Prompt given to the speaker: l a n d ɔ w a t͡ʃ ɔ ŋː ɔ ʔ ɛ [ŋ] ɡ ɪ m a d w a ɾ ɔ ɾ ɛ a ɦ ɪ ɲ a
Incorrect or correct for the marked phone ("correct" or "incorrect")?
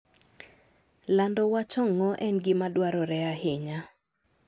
incorrect